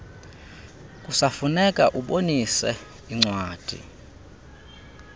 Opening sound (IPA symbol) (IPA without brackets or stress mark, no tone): kʼ